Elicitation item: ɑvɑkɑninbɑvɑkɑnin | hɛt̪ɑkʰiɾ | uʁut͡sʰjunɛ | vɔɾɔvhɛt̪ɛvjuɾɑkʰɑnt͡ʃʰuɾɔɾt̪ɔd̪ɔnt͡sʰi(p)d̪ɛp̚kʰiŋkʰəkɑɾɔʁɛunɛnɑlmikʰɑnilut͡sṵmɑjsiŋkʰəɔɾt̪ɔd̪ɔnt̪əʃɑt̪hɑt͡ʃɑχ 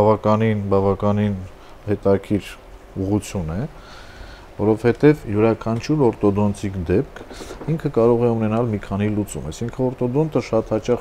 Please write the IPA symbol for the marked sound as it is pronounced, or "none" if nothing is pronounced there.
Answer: k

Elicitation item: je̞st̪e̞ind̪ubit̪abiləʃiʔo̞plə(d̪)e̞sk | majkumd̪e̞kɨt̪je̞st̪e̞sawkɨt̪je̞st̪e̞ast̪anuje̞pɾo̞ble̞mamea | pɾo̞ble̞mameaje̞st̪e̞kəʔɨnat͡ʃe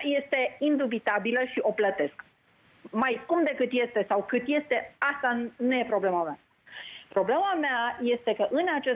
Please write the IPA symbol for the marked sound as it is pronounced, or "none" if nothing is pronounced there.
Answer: t̪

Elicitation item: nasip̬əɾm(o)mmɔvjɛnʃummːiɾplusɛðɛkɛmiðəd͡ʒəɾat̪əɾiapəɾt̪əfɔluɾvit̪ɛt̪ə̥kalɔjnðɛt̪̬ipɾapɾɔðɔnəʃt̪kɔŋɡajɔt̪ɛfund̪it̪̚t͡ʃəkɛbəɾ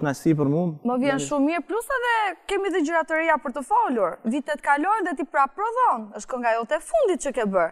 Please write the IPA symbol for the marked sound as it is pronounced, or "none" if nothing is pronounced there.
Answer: u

